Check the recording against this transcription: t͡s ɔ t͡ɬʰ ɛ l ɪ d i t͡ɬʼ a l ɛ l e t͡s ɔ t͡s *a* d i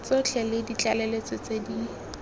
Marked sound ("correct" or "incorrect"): incorrect